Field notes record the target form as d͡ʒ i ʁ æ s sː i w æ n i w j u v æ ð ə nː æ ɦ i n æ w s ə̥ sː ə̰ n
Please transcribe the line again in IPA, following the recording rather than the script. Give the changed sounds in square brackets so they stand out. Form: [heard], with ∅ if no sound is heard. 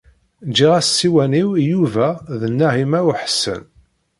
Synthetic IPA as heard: d͡ʒ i ʁ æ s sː i w æ n i w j u v æ ð ə nː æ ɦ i [m] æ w [ħ] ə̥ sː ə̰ n